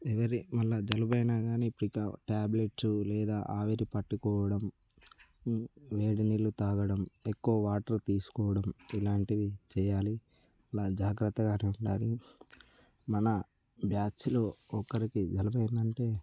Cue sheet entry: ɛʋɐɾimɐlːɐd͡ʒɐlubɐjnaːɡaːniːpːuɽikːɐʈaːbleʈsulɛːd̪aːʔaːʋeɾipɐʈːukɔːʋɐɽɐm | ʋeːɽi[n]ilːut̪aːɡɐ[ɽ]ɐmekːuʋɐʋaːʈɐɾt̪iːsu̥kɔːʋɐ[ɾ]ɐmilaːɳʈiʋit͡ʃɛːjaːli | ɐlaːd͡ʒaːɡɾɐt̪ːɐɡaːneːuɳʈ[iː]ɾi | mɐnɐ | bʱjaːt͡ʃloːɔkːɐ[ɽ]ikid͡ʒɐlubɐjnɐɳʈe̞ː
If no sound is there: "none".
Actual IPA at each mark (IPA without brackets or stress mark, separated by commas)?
n, ɽ, ɽ, aː, ɾ